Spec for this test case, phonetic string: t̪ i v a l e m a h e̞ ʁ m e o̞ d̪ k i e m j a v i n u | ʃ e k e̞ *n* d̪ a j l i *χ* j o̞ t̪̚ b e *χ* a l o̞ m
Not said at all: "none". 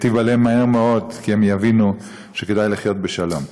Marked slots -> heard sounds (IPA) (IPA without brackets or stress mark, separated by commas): none, χ, ʃ